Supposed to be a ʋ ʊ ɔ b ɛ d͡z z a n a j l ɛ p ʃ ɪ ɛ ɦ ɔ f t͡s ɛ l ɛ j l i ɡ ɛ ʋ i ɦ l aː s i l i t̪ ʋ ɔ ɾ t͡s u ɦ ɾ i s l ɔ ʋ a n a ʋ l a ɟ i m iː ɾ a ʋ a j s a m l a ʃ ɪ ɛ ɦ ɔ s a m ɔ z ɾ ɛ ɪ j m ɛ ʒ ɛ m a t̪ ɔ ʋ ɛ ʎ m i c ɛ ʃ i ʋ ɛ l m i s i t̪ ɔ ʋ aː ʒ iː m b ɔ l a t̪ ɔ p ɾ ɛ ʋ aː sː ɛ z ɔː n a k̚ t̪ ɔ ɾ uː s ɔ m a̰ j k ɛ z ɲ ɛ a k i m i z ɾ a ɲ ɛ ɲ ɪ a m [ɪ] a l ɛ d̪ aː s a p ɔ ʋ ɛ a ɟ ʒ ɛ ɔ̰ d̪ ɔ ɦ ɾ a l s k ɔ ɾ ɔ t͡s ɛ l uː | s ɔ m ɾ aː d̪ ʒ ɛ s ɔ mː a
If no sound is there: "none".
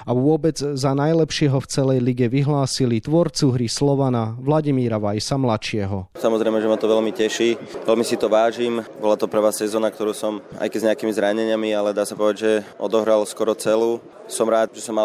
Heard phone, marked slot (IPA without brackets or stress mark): i